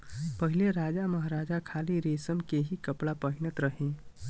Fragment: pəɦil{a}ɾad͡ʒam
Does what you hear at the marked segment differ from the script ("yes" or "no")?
yes